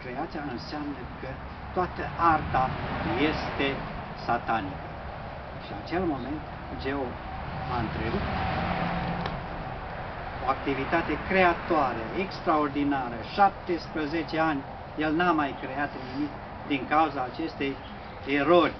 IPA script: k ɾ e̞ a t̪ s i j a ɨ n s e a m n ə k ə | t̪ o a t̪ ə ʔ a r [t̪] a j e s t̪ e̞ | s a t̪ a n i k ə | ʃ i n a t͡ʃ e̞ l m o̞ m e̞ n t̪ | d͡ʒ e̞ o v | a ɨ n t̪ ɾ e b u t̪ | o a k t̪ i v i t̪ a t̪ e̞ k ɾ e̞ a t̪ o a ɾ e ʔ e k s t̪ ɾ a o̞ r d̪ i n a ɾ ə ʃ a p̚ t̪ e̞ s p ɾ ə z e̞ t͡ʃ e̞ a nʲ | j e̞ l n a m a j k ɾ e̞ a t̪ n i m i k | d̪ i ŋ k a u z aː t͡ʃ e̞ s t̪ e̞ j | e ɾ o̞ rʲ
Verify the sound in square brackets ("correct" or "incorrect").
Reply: correct